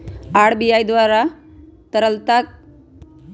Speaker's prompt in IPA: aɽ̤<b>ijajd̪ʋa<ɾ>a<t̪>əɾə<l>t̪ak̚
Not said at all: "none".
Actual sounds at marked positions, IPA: b, ɾ, t̪, l

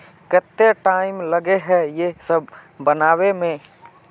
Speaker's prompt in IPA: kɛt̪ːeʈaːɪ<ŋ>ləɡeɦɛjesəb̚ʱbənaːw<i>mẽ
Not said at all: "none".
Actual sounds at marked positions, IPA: m, e

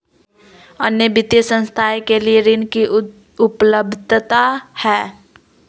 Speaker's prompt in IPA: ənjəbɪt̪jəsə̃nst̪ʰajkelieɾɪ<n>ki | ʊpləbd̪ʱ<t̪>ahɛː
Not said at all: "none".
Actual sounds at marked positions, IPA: n, t̪

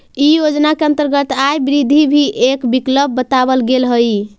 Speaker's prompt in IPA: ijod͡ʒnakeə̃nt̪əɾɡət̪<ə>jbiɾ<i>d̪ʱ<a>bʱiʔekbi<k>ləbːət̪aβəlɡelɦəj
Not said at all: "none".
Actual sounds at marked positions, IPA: a, i, i, k

